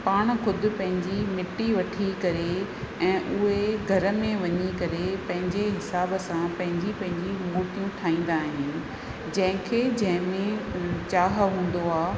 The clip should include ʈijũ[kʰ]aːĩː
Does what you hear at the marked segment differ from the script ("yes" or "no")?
yes